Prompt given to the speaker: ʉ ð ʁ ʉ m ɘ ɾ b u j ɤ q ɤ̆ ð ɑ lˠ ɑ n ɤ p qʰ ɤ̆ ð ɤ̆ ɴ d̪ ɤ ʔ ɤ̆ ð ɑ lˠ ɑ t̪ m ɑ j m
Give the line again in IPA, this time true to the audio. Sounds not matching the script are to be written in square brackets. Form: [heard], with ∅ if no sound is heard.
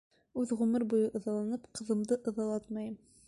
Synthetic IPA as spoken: ʉ ð ʁ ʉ m ɘ ɾ b u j ɤ [ʔ] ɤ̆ ð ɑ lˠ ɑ n ɤ p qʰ ɤ̆ ð ɤ̆ [m] d̪ ɤ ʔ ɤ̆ ð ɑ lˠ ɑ t̪ m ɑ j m